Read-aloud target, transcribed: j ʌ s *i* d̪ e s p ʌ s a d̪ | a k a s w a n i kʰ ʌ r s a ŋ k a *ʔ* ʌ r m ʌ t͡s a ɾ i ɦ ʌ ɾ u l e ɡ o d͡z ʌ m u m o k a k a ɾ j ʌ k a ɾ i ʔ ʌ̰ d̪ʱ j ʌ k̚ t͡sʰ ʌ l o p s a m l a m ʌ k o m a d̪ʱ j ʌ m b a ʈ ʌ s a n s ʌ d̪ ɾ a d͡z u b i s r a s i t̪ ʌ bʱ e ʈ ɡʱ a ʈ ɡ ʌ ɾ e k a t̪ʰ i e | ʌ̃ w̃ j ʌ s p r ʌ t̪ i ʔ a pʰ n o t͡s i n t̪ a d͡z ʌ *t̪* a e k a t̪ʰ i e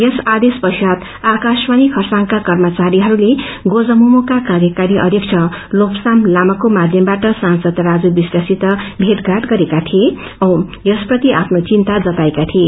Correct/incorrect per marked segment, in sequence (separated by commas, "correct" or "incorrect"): incorrect, incorrect, correct